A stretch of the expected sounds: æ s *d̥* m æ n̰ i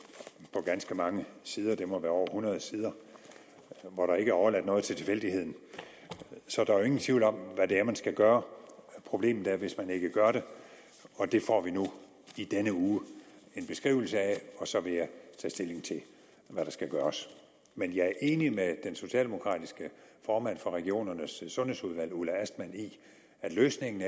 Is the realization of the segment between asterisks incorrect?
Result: no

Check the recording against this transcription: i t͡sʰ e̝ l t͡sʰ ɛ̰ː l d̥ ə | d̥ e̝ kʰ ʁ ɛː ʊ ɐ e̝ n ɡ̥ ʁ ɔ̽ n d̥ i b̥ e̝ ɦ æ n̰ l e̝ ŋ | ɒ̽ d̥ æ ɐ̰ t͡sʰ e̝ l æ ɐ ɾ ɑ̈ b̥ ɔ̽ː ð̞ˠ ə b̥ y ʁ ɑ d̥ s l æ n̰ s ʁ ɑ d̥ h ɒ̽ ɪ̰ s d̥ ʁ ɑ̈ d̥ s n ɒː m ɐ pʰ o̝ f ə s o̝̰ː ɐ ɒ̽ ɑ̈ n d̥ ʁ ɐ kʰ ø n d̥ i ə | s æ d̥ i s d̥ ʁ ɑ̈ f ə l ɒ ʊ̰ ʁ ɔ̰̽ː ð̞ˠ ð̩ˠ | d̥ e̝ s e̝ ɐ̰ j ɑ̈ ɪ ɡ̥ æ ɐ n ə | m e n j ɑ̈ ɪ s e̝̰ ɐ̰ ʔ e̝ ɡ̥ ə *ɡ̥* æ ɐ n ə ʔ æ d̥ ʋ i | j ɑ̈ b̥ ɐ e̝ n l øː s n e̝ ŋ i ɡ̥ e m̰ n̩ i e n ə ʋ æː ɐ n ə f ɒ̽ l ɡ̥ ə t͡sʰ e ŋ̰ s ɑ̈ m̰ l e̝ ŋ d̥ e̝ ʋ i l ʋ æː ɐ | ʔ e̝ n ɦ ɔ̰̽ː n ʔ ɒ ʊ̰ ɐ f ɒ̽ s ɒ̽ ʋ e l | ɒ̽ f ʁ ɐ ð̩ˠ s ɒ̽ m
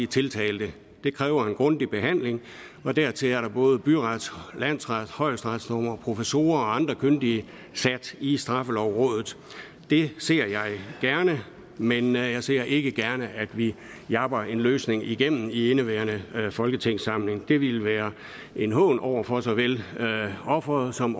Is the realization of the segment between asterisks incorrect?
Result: no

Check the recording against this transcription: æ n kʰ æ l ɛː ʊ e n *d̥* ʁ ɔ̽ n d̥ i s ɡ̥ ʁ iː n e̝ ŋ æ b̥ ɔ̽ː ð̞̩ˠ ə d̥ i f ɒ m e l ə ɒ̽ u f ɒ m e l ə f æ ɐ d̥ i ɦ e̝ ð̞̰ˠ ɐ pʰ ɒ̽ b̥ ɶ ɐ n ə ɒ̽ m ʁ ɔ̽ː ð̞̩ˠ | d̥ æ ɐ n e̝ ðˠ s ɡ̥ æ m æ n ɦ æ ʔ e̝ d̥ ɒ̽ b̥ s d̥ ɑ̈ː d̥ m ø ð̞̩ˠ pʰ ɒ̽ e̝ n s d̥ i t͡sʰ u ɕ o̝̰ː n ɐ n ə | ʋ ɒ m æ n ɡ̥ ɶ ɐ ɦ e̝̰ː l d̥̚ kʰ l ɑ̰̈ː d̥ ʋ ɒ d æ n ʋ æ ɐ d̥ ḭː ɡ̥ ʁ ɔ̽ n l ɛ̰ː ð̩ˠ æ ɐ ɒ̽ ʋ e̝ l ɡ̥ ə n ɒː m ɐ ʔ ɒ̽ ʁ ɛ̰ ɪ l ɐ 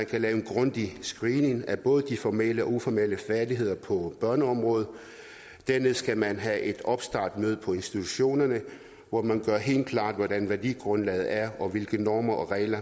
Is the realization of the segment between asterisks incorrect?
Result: yes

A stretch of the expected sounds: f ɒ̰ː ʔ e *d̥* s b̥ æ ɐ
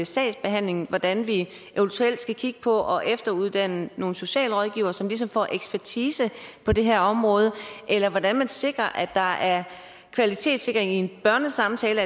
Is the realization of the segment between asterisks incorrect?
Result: yes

